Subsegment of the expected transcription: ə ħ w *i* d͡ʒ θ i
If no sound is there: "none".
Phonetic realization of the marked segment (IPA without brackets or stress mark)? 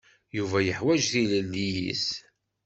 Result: æ